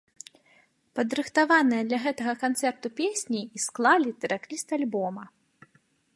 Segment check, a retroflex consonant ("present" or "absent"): absent